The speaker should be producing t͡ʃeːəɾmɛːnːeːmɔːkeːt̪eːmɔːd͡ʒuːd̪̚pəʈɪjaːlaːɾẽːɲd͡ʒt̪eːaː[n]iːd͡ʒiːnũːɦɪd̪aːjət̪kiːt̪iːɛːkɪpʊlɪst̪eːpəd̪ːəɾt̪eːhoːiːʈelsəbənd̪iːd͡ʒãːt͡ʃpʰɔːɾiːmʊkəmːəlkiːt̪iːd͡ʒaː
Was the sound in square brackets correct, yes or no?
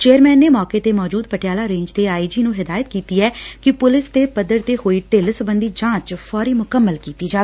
no